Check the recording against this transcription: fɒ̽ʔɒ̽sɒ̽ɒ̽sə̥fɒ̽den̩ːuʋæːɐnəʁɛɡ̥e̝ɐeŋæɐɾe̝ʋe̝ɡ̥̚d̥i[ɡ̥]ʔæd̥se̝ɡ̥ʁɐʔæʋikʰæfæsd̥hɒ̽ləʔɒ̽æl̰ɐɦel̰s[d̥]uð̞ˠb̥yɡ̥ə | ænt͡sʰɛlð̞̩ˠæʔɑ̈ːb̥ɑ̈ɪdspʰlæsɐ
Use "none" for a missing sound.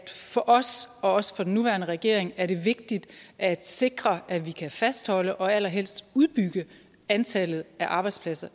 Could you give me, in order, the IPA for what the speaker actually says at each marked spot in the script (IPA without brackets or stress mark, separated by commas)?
d̥, d̥